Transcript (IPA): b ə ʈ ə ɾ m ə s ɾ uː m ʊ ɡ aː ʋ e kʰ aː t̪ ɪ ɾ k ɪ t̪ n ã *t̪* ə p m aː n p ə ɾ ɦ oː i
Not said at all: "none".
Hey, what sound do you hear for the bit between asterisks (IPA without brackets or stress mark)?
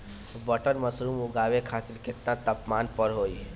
t̪